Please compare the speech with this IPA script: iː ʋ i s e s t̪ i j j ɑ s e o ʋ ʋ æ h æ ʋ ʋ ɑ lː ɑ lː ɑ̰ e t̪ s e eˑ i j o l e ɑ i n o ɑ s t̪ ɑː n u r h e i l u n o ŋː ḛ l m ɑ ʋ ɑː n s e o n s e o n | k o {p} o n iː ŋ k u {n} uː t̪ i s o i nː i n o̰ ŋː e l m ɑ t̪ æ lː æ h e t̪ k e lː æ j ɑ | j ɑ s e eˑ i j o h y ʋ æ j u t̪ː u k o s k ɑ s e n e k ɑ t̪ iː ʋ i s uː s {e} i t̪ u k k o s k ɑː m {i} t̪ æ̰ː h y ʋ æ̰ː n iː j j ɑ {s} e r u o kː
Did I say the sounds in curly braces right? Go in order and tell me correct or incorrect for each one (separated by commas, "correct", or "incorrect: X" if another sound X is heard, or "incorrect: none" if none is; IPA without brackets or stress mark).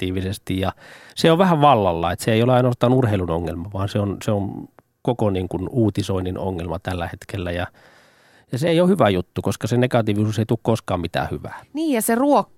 incorrect: k, correct, correct, correct, correct